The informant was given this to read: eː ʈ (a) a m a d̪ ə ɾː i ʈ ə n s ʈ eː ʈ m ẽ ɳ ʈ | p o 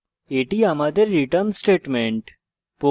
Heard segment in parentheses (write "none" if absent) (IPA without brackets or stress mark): i